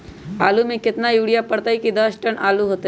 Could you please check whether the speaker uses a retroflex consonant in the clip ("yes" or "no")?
yes